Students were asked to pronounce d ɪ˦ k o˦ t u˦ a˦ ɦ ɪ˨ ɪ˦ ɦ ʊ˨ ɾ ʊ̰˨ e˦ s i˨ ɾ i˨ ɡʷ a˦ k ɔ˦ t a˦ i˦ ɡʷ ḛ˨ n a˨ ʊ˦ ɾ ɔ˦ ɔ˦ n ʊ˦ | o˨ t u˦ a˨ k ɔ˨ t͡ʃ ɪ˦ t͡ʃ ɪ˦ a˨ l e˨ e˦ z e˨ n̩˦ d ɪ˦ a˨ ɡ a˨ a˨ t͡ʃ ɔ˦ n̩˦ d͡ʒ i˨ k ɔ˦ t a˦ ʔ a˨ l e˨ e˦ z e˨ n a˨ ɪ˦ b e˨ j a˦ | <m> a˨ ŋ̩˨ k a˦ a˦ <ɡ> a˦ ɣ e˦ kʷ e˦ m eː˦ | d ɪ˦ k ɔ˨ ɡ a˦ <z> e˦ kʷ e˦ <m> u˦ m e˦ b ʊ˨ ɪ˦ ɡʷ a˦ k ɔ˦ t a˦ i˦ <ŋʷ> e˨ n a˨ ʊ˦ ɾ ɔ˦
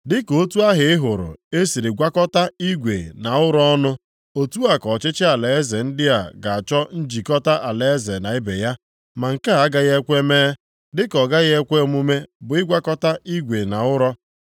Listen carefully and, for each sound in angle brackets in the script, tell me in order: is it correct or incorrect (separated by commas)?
correct, correct, incorrect, correct, incorrect